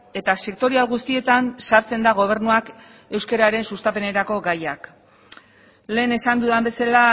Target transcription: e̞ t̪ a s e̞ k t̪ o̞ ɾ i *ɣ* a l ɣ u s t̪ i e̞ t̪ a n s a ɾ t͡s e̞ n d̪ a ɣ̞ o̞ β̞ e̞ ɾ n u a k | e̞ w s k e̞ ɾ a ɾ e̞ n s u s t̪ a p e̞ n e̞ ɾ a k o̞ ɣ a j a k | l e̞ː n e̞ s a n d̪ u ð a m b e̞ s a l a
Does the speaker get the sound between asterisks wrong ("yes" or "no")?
yes